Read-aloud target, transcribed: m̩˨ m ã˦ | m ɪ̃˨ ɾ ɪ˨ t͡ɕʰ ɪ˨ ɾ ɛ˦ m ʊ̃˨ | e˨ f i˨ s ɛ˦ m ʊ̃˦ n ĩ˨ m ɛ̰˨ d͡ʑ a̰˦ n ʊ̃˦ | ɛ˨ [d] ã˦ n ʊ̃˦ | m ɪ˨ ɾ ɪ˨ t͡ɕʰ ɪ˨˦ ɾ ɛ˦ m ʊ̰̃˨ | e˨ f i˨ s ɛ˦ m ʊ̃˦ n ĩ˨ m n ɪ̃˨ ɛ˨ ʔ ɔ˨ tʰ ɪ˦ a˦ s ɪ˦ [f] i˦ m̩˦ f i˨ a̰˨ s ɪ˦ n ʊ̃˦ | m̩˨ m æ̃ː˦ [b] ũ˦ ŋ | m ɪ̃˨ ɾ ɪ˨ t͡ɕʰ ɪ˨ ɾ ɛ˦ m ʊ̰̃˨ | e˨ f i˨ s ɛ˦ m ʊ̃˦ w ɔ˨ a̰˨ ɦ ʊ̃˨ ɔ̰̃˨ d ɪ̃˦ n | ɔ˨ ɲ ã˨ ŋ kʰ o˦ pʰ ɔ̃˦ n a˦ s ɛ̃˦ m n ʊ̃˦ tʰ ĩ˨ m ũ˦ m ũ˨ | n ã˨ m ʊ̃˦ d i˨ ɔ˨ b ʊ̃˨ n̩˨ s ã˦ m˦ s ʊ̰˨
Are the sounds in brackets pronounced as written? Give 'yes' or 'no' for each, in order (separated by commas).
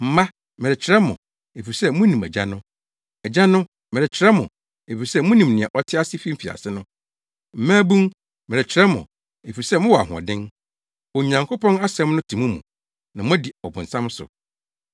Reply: no, yes, yes